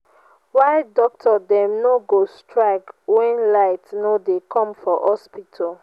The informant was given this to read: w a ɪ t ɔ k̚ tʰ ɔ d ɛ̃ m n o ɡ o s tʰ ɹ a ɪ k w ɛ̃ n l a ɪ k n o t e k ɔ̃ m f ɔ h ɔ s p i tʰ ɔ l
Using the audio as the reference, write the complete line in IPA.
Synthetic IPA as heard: w a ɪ d ɔ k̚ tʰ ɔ d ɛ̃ m n o ɡ o s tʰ ɹ a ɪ k w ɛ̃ n l a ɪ t n o d e k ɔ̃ m f ɔ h ɔ s p i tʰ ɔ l